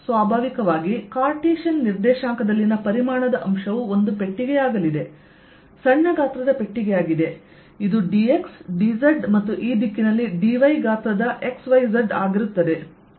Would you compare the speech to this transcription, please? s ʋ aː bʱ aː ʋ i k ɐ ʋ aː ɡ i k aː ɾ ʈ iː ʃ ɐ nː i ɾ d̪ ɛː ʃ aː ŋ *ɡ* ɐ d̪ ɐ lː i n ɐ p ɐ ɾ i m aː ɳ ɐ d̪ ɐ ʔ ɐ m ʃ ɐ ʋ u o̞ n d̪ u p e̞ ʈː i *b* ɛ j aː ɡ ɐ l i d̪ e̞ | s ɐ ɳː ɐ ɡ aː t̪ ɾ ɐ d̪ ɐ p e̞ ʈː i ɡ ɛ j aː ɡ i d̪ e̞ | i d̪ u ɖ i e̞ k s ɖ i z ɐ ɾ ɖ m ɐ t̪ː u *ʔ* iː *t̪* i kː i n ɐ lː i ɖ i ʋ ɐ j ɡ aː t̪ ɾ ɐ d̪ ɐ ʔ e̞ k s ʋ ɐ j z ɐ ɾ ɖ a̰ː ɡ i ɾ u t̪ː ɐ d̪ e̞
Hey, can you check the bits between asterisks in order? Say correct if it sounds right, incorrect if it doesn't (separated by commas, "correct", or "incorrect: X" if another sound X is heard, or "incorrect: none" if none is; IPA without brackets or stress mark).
incorrect: k, incorrect: ɡ, correct, incorrect: d̪